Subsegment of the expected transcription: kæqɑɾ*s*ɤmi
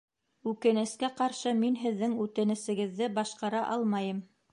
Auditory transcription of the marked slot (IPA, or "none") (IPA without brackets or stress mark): ʃ